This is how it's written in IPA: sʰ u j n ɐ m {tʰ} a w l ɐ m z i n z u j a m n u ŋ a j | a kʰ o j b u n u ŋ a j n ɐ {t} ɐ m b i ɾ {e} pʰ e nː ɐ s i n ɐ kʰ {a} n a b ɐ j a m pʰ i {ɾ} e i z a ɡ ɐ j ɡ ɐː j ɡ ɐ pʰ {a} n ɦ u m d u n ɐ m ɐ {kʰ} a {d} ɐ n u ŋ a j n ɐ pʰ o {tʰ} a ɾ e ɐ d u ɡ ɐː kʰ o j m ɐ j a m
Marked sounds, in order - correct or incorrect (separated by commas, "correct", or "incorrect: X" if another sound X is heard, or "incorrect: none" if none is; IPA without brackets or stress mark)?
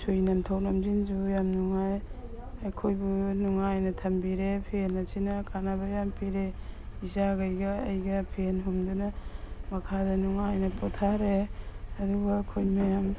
correct, incorrect: tʰ, correct, correct, correct, incorrect: e, correct, correct, correct